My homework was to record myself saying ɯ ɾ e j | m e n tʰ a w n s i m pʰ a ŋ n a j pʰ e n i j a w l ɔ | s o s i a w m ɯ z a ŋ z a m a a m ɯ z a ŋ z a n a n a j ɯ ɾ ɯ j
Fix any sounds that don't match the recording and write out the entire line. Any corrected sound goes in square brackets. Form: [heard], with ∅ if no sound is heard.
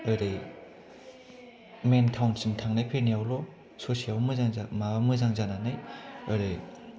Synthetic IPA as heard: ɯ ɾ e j | m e n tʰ a w n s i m [tʰ] a ŋ n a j pʰ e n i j a w l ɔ | s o s i a w m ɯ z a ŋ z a m a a m ɯ z a ŋ z a n a n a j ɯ ɾ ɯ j